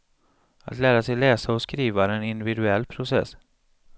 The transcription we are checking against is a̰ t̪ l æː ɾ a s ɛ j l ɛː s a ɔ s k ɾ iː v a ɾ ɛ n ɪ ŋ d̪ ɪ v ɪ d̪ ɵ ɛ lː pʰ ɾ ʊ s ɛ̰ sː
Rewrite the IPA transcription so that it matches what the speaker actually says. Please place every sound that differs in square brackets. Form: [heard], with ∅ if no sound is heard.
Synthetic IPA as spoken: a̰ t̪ l æː ɾ a s ɛ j l ɛː s a ɔ s k ɾ iː v a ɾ ɛ n ɪ [n] d̪ ɪ v ɪ d̪ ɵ ɛ lː pʰ ɾ ʊ s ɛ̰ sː